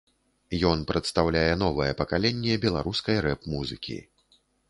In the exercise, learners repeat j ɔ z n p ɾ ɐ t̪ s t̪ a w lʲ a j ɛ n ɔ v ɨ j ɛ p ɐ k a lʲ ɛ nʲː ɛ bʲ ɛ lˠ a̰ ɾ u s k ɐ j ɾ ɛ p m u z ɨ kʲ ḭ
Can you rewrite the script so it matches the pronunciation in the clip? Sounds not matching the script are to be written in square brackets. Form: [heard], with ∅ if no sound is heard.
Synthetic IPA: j ɔ [∅] n p ɾ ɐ t̪ s t̪ a w lʲ a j ɛ n ɔ v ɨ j ɛ p ɐ k a lʲ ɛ nʲː ɛ bʲ ɛ lˠ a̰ ɾ u s k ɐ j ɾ ɛ p m u z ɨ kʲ ḭ

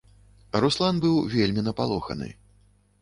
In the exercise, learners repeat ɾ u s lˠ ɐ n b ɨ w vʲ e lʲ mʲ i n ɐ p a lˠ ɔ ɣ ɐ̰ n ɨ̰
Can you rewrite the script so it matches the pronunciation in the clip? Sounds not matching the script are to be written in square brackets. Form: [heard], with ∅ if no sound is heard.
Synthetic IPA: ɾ u s lˠ [a] n b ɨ w vʲ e lʲ mʲ i n ɐ p a lˠ ɔ [x] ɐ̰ n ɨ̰

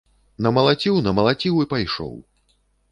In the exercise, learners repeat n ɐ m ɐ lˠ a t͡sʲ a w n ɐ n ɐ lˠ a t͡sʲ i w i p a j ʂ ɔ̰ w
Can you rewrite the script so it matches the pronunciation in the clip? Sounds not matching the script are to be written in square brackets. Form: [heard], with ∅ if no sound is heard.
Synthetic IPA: n ɐ m ɐ lˠ a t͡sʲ [i] w n ɐ [m] ɐ lˠ a t͡sʲ i w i p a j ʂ ɔ̰ w

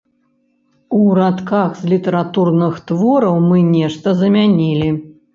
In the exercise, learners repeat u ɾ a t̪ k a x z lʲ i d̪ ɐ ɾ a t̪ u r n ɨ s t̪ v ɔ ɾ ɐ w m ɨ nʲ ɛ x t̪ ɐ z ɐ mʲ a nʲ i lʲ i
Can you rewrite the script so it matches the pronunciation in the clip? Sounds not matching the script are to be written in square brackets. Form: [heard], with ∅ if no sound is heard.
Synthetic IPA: u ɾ a t̪ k a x z lʲ i [t̪] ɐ ɾ a t̪ u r n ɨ [x] t̪ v ɔ ɾ ɐ w m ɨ nʲ ɛ [ʂ] t̪ ɐ z ɐ mʲ a nʲ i lʲ i

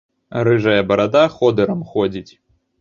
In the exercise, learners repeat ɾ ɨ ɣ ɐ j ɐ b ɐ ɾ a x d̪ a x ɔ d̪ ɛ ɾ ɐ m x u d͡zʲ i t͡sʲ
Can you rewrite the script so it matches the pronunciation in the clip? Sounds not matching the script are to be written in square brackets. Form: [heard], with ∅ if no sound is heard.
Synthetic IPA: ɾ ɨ [ʐ] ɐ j ɐ b ɐ ɾ a [∅] d̪ a x ɔ d̪ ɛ ɾ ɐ m x [ɔ] d͡zʲ i t͡sʲ

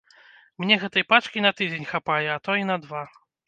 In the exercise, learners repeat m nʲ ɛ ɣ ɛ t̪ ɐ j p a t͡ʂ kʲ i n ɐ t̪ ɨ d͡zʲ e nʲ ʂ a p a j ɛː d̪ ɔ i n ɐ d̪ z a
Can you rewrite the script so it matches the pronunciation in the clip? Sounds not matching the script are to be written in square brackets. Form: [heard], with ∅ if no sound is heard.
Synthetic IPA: m nʲ ɛ ɣ ɛ t̪ ɐ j p a t͡ʂ kʲ i n ɐ t̪ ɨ d͡zʲ e nʲ [x] a p a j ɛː [t̪] ɔ i n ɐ d̪ [v] a

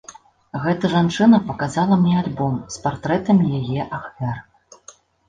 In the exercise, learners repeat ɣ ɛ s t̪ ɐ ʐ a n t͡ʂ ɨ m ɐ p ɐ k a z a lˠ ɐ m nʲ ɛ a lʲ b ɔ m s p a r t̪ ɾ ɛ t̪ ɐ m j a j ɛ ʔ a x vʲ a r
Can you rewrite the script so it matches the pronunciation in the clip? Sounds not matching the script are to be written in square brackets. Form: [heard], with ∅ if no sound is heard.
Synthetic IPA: ɣ ɛ [∅] t̪ ɐ ʐ a n t͡ʂ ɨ [n] ɐ p ɐ k a z a lˠ ɐ m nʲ ɛ a lʲ b ɔ m s p a r t̪ ɾ ɛ t̪ ɐ m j a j ɛ ʔ a x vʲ a r

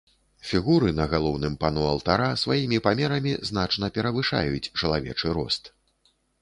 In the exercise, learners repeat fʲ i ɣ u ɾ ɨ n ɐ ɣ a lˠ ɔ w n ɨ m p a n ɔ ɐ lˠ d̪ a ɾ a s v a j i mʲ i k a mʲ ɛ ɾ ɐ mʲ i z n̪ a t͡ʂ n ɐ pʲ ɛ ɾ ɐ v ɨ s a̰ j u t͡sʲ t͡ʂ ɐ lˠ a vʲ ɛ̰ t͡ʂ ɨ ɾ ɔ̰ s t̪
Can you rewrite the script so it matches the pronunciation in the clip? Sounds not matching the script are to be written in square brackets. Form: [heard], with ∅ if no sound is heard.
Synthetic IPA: fʲ i ɣ u ɾ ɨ n ɐ ɣ a lˠ ɔ w n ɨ m p a n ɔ ɐ lˠ [t̪] a ɾ a s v a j i mʲ i [p] a mʲ ɛ ɾ ɐ mʲ i z n̪ a t͡ʂ n ɐ pʲ ɛ ɾ ɐ v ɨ [ʂ] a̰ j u t͡sʲ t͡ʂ ɐ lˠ a vʲ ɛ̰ t͡ʂ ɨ ɾ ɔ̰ s t̪

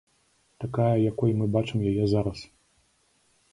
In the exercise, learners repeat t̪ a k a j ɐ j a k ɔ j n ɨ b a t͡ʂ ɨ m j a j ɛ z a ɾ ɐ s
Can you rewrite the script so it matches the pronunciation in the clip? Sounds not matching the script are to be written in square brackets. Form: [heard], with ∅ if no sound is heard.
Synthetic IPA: t̪ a k a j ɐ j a k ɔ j [m] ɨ b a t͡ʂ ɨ m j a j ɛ z a ɾ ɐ s

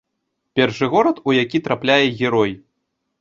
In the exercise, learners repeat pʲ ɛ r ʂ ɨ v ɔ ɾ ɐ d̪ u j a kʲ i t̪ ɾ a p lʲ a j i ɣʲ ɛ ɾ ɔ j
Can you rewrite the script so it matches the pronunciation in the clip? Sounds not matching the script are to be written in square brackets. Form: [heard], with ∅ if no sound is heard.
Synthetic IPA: pʲ ɛ r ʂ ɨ [ɣ] ɔ ɾ ɐ [t̪] u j a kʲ i t̪ ɾ a p lʲ a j [ɛ] ɣʲ ɛ ɾ ɔ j

